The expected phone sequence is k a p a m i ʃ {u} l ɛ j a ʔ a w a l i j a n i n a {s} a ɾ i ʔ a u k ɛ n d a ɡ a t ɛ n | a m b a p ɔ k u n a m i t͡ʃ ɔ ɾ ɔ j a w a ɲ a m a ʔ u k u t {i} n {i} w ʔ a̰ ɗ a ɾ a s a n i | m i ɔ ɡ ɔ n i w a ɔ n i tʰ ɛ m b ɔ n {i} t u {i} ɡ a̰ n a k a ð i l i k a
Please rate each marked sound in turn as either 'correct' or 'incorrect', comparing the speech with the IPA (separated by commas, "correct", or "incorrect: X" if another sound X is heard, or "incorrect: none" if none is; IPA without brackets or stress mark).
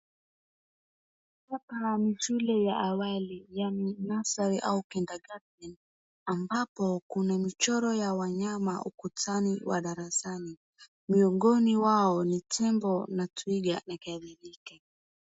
correct, correct, incorrect: a, correct, incorrect: a, correct